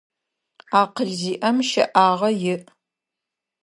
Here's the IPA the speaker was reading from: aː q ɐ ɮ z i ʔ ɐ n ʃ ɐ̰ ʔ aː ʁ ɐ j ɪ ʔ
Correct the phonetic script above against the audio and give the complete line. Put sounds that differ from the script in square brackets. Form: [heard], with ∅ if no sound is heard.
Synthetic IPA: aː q [ə] ɮ z [iː] ʔ ɐ [m] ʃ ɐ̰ ʔ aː ʁ ɐ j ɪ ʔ